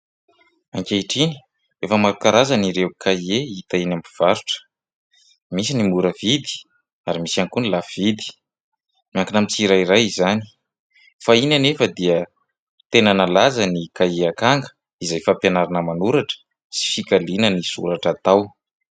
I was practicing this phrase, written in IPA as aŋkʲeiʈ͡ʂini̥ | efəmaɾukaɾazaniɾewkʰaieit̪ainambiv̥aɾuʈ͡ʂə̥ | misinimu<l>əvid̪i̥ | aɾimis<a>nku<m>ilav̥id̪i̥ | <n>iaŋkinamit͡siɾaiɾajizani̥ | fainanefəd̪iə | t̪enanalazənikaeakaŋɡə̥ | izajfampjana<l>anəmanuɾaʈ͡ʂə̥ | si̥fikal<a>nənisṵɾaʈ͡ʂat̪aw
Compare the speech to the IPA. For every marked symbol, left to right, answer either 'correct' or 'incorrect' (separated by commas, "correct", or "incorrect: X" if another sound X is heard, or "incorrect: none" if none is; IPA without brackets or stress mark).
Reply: incorrect: ɾ, correct, incorrect: n, incorrect: m, incorrect: ɾ, incorrect: i